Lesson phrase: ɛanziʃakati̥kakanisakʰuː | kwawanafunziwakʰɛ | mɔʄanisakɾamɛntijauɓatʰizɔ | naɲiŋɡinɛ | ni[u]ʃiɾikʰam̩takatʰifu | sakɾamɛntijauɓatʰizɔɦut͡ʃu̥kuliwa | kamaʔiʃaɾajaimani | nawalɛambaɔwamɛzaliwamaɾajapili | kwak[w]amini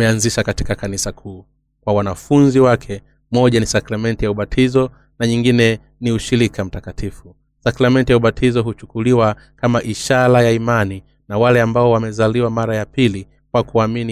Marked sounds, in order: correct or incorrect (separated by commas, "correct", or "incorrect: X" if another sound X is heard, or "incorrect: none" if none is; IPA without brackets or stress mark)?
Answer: correct, incorrect: u